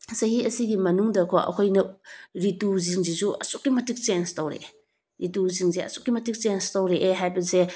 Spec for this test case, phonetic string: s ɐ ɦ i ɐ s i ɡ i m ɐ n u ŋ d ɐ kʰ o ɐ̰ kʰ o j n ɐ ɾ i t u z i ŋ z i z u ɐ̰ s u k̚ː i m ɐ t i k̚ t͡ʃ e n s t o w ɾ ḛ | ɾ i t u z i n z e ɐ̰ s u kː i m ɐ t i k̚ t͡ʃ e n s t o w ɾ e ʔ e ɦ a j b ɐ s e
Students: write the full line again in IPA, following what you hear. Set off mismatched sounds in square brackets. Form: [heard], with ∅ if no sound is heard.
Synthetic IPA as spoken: s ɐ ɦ i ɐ s i ɡ i m ɐ n u ŋ d ɐ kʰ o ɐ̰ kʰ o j n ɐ ɾ i t u z i ŋ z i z u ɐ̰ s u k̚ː i m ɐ t i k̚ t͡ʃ e n s t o w ɾ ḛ | ɾ i t u z i [ŋ] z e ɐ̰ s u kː i m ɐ t i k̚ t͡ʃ e n s t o w ɾ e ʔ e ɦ a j b ɐ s e

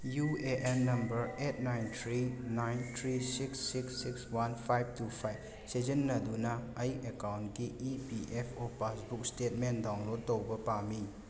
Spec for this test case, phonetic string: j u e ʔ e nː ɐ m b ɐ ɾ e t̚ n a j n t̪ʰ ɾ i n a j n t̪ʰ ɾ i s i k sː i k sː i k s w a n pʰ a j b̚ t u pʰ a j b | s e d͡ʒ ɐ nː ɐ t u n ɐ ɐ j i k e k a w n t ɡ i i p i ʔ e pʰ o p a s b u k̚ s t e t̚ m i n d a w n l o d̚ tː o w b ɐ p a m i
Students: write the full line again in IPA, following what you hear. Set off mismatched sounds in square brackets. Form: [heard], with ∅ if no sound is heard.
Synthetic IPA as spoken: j u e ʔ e nː ɐ m b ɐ ɾ e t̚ n a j n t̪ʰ ɾ i n a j n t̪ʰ ɾ i s i k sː i k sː i k s w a n pʰ a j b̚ t u pʰ a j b | s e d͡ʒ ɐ nː ɐ [d] u n ɐ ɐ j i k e k a w n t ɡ i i p i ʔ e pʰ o p a s b u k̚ s t e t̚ m [e] n d a w n l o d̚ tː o w b ɐ p a m i

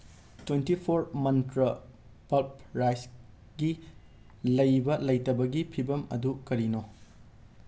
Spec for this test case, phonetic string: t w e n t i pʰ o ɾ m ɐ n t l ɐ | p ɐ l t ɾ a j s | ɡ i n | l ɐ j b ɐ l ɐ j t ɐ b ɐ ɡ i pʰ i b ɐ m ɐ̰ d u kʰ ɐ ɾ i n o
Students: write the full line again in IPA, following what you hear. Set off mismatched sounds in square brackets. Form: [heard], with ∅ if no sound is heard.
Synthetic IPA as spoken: t w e n t i pʰ o ɾ m ɐ n t [ɾ] ɐ | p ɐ l [p] ɾ a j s | ɡ i [∅] | l ɐ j b ɐ l ɐ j t ɐ b ɐ ɡ i pʰ i b ɐ m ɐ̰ d u [k] ɐ ɾ i n o

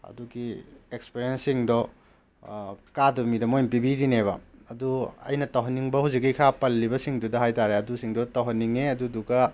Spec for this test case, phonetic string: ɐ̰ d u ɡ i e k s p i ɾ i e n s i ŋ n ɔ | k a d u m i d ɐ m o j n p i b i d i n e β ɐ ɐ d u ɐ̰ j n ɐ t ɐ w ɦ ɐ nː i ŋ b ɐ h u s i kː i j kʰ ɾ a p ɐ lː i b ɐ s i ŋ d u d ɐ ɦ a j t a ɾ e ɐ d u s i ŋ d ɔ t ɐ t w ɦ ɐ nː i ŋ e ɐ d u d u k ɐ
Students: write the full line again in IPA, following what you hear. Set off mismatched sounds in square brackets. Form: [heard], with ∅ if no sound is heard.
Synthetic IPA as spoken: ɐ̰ d u ɡ i e k s p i ɾ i e n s i ŋ [d] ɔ | k a d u m i d ɐ m o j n p i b i d i n e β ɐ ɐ d u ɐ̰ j n ɐ t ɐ w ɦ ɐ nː i ŋ b ɐ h u [z] i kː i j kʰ ɾ a p ɐ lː i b ɐ s i ŋ d u d ɐ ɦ a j t a ɾ e ɐ d u s i ŋ d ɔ t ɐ [∅] w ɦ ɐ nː i ŋ e ɐ d u d u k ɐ

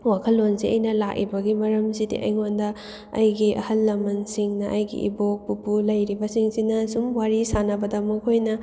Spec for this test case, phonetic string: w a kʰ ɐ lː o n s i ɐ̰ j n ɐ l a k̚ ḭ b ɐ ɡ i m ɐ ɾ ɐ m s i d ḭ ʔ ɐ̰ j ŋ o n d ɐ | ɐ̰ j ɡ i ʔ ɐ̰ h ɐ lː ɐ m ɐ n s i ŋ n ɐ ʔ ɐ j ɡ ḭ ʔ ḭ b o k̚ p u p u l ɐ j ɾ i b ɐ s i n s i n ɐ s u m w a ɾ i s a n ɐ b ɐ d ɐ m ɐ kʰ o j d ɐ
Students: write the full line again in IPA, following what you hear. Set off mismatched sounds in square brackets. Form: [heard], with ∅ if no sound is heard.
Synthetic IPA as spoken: w a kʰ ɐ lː o n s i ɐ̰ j n ɐ l a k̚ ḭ b ɐ ɡ i m ɐ ɾ ɐ m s i d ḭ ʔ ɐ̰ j ŋ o n d ɐ | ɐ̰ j ɡ i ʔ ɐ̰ h ɐ lː ɐ m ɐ n s i ŋ n ɐ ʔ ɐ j ɡ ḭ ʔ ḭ b o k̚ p u p u l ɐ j ɾ i b ɐ s i [ŋ] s i n ɐ s u m w a ɾ i s a n ɐ b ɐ d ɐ m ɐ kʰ o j [n] ɐ

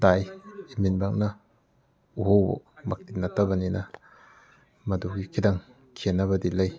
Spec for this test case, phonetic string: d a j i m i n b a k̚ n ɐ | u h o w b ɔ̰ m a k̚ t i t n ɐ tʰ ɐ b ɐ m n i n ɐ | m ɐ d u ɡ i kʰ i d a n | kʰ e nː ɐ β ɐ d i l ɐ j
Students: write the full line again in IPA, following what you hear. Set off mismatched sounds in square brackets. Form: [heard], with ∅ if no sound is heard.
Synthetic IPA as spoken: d a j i m i n b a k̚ n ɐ | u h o w b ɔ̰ m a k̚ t i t n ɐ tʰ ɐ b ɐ [∅] n i n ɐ | m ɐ d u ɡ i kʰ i d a [ŋ] | kʰ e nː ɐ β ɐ d i l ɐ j

